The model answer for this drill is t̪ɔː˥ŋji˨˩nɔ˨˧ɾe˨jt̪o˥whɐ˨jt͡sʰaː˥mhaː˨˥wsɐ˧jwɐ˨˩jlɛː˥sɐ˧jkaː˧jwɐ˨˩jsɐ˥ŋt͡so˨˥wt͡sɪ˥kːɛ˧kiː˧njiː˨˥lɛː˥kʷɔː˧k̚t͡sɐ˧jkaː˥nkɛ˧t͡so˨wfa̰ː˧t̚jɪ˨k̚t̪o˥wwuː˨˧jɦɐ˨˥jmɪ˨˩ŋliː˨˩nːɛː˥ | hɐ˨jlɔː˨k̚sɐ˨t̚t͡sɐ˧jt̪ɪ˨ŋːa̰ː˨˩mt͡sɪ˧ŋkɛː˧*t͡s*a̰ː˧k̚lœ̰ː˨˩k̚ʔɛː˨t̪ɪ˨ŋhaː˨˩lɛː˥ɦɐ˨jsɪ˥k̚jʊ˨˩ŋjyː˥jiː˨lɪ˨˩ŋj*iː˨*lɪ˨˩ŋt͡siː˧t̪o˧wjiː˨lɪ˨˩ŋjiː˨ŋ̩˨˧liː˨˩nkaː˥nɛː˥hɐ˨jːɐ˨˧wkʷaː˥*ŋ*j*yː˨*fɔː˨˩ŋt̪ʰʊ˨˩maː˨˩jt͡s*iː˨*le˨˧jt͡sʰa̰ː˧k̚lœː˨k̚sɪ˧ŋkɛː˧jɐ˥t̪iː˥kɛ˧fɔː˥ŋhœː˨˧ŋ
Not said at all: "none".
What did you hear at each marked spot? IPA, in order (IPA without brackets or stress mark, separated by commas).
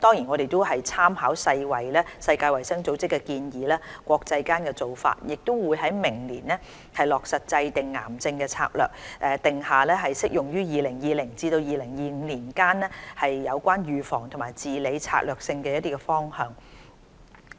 t͡sʰ, iː˨, n, yː˨, iː˨